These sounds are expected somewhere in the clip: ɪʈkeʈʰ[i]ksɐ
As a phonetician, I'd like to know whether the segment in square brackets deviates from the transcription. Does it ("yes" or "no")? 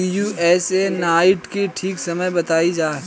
yes